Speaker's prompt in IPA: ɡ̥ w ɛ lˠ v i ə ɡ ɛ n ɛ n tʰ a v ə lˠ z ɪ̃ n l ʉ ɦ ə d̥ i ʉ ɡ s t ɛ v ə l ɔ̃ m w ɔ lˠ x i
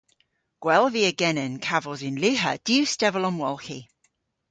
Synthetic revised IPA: ɡ̥ w ɛ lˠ v i ə ɡ ɛ n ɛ n kʰ a v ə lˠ z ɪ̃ n l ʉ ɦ ə d̥ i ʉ s t ɛ v ə l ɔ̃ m w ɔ lˠ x i

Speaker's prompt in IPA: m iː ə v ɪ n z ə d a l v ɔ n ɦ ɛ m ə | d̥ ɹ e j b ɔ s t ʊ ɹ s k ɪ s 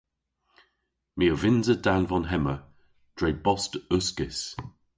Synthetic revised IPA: m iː ə v ɪ n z ə d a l v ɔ n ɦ ɛ m ə | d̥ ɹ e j b ɔ s t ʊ s k ɪ s

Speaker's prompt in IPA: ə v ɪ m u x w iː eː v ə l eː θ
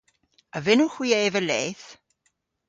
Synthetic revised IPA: ə v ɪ n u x w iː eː v ə l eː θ

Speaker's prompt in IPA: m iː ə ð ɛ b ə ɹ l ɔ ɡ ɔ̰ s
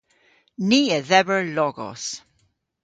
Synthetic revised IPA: n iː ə ð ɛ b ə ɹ l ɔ ɡ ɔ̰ s

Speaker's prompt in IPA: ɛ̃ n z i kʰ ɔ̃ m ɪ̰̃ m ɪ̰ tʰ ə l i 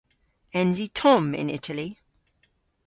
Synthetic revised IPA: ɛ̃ n z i tʰ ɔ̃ m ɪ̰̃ n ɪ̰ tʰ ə l i

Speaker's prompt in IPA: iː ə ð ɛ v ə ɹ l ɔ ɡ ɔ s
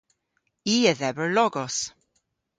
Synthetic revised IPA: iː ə ð ɛ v ə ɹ l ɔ ɡ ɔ s

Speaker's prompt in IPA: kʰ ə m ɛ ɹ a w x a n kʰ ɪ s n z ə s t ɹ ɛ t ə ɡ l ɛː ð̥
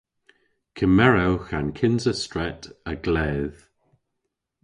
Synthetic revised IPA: kʰ ə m ɛ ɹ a w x a n kʰ ɪ n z ə s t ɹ ɛ t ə ɡ l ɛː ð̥

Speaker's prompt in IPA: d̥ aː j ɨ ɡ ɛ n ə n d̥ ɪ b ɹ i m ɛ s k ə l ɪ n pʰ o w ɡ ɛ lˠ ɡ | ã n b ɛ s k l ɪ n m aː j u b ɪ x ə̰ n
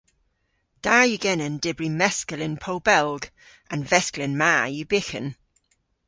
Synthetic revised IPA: d̥ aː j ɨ ɡ ɛ n ə n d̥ ɪ b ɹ i m ɛ s k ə l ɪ n pʰ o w b ɛ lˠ ɡ | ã n v ɛ s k l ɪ n m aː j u b ɪ x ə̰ n

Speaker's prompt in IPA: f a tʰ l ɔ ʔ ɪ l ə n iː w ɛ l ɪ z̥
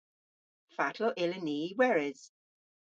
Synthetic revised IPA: f a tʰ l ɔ ʔ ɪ l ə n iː w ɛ ɹ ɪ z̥

